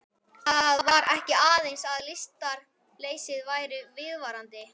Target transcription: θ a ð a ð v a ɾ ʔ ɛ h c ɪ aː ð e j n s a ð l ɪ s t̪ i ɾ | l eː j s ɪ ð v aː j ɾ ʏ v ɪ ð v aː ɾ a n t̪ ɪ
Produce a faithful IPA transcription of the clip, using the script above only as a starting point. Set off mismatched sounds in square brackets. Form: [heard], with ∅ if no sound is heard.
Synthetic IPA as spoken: θ a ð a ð v a ɾ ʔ ɛ h c ɪ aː ð e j n s a ð l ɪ s t̪ [a] ɾ | l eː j s ɪ ð v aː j ɾ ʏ v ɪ ð v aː ɾ a n t̪ ɪ